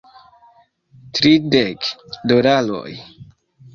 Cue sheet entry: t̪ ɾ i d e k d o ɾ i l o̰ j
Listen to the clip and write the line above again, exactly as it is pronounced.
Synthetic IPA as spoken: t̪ ɾ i d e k d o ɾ a l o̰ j